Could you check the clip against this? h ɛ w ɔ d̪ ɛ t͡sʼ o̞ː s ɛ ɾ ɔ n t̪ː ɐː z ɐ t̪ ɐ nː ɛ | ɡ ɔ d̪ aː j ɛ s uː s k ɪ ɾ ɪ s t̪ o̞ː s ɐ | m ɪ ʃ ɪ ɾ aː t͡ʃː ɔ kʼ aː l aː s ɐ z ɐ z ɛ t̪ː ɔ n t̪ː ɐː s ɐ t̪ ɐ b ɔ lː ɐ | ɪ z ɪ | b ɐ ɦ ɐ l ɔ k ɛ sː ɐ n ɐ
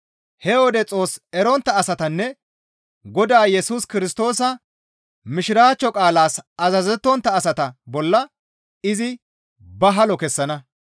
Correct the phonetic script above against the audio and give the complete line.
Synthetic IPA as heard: h ɛ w ɔ d̪ ɛ t͡sʼ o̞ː s ɛ ɾ ɔ n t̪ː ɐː s ɐ t̪ ɐ nː ɛ | ɡ ɔ d̪ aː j ɛ s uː s k ɪ ɾ ɪ s t̪ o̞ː s ɐ | m ɪ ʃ ɪ ɾ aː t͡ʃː ɔ kʼ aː l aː s ɐ z ɐ z ɛ t̪ː ɔ n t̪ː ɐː s ɐ t̪ ɐ b ɔ lː ɐ | ɪ z ɪ | b ɐ ɦ ɐ l ɔ k ɛ sː ɐ n ɐ